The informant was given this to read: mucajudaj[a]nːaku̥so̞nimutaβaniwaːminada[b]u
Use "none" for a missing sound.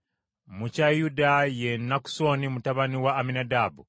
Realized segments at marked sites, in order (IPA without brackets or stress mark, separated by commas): e, b